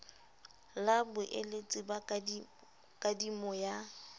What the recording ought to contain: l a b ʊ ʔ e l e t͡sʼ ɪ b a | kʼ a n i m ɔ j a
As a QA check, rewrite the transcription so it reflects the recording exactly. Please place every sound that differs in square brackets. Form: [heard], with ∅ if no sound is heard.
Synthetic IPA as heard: l a b ʊ ʔ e l e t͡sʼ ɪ b a | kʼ a [d] i m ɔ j a